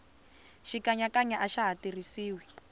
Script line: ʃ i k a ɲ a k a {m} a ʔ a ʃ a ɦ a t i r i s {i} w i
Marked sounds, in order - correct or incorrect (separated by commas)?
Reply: incorrect, incorrect